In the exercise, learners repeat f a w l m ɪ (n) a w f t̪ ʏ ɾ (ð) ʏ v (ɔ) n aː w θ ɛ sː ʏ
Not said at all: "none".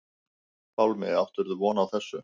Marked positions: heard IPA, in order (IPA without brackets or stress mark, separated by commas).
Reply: none, ð, ɔː